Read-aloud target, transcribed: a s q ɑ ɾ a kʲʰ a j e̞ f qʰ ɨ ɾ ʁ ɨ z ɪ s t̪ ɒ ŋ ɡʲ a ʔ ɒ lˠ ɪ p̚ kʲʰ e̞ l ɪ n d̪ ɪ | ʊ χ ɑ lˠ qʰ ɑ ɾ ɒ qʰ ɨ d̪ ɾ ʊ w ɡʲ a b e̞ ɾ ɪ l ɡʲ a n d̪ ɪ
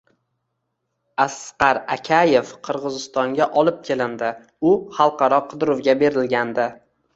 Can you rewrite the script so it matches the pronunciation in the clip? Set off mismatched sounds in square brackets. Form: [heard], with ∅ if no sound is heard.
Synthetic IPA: a s q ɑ ɾ a kʲʰ a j e̞ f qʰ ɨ ɾ ʁ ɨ z ɪ s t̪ ɒ ŋ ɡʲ a ʔ ɒ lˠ ɪ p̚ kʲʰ e̞ l ɪ n d̪ ɪ | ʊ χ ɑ lˠ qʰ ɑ ɾ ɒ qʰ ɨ d̪ ɾ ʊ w ɡʲ a b e̞ ɾ ɪ l ɡʲ a n d̪ ɪ